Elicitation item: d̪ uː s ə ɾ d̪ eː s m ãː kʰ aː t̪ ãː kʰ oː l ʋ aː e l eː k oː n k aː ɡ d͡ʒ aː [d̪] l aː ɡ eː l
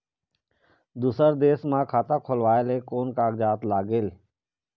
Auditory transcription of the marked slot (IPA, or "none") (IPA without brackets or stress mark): t̪